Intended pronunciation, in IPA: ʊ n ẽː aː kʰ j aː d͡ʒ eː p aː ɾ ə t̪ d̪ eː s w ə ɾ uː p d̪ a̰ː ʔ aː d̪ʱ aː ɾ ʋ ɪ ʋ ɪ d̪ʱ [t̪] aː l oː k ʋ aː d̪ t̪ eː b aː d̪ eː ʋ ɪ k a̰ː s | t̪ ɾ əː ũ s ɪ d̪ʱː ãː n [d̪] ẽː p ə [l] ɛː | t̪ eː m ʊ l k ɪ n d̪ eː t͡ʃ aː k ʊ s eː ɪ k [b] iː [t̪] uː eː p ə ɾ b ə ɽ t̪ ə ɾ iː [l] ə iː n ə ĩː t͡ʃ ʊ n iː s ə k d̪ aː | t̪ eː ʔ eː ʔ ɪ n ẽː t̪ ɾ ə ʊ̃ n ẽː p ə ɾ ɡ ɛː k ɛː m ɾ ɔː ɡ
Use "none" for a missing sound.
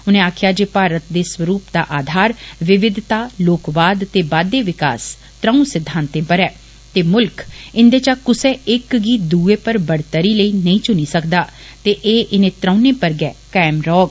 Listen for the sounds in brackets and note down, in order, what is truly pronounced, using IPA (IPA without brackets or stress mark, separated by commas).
t̪, t̪, ɾ, ɡ, d̪, l